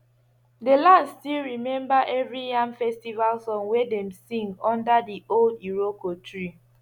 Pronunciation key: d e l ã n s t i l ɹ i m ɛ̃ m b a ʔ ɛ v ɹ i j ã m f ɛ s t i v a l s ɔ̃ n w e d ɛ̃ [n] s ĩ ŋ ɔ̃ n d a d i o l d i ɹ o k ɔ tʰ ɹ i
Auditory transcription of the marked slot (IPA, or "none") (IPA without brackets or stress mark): m